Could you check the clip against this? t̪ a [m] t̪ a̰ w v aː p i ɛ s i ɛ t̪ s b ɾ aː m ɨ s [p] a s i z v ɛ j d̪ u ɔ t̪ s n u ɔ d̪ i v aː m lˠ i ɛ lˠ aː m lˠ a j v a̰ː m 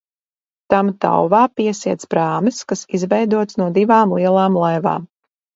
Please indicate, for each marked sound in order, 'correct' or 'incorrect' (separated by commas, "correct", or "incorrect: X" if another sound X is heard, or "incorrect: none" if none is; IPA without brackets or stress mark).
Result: correct, incorrect: k